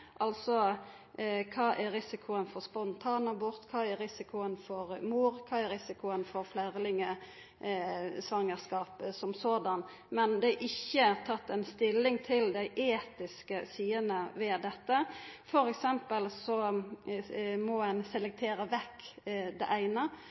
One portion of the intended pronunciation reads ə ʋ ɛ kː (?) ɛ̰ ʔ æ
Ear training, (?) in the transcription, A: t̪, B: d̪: B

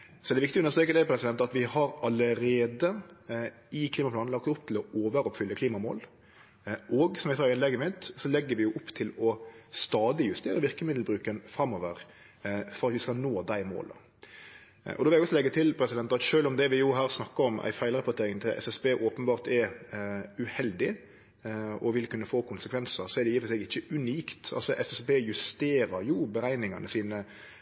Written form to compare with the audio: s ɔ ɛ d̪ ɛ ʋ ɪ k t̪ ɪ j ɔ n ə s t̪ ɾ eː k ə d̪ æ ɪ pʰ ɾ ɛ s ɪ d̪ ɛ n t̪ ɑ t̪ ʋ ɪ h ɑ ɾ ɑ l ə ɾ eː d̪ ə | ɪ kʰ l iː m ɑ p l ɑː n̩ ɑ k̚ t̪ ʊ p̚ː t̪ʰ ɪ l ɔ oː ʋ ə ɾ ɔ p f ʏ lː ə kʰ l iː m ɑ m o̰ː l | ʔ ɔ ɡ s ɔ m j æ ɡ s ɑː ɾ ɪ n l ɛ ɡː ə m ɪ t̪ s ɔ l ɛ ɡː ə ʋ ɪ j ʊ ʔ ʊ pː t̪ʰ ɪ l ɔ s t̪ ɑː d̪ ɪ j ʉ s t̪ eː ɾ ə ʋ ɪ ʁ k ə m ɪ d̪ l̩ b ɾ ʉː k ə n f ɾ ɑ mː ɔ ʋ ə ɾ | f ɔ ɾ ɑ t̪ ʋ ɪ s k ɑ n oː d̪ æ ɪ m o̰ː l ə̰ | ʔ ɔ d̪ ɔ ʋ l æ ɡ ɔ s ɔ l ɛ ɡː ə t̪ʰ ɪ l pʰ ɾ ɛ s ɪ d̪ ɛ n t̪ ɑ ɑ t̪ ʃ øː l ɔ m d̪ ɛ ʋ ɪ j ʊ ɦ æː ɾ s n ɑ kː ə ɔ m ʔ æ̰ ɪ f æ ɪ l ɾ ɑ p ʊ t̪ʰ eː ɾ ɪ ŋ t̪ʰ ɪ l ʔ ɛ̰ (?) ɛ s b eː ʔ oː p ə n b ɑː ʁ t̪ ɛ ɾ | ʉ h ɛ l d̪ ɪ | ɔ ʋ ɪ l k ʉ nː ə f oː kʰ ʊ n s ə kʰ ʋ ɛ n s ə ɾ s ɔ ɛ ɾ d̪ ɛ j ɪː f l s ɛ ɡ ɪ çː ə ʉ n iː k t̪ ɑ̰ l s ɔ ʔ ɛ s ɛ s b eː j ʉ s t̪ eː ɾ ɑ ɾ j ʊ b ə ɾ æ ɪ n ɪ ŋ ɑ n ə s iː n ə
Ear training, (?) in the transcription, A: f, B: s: B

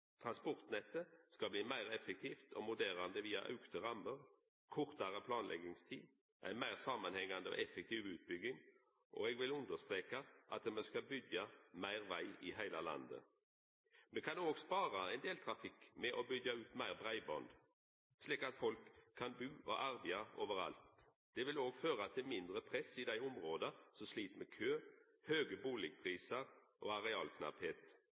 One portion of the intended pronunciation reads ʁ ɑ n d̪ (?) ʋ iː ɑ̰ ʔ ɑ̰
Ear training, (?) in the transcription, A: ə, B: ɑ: A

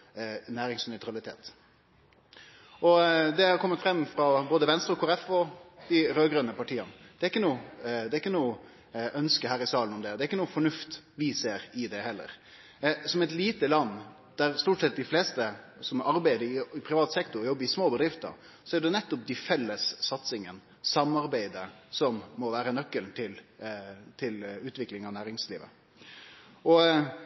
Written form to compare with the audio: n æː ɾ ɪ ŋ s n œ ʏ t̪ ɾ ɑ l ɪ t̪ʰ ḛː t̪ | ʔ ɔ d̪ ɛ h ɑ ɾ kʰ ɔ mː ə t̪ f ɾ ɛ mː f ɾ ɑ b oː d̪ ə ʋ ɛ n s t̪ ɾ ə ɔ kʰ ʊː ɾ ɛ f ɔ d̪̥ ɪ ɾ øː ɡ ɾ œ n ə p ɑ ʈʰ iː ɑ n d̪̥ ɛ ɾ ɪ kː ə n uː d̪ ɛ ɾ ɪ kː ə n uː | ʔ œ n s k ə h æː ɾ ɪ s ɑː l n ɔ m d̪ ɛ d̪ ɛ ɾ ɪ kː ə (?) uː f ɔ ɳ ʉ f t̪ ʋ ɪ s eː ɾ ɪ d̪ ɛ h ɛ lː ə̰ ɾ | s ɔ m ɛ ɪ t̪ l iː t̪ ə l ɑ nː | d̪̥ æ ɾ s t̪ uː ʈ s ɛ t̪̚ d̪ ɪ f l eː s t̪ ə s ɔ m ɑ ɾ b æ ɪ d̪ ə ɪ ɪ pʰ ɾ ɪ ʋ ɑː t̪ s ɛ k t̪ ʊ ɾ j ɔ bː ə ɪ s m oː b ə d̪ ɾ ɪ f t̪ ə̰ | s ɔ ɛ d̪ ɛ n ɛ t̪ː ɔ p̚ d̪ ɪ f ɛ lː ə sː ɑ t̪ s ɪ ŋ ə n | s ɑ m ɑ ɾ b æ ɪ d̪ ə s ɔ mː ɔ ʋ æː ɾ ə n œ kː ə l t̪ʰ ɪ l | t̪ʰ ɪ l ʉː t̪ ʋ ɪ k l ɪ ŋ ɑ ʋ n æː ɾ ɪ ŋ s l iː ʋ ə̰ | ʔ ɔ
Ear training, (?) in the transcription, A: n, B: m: A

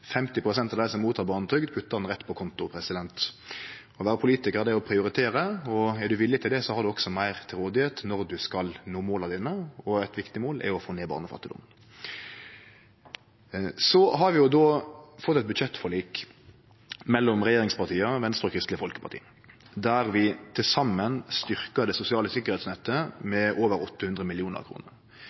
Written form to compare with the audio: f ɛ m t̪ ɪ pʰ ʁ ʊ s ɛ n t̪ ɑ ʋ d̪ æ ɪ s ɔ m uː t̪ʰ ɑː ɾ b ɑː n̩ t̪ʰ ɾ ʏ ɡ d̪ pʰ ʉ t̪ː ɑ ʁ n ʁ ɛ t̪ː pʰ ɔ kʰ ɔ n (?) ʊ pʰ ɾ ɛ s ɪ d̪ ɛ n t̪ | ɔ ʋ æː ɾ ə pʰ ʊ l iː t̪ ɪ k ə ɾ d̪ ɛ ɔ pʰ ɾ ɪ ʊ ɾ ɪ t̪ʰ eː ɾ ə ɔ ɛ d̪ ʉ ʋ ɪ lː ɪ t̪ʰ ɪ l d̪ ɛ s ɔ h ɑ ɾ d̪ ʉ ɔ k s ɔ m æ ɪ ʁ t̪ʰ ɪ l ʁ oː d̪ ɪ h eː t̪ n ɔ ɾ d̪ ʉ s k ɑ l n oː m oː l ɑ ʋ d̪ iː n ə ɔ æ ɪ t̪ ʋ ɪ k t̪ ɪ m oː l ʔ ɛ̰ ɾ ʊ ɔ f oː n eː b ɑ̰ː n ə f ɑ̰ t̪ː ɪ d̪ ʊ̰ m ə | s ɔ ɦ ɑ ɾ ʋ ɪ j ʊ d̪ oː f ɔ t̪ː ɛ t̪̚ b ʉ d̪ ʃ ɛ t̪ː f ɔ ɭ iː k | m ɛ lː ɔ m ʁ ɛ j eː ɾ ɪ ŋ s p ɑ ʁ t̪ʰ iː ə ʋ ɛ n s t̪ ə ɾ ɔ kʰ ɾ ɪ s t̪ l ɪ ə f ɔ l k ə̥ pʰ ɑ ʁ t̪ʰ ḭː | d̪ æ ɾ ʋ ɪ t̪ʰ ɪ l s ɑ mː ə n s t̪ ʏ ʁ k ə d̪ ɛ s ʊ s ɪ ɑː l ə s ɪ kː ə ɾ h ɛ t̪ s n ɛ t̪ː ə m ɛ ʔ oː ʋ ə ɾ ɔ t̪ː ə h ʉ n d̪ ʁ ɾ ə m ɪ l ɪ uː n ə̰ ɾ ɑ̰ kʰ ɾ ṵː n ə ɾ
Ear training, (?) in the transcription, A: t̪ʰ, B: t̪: B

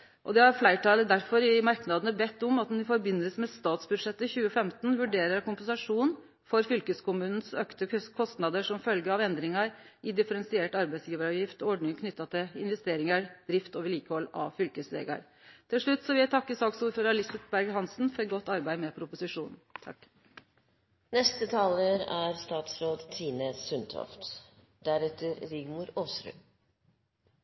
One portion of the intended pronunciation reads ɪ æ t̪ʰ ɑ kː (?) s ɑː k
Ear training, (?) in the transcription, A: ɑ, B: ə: B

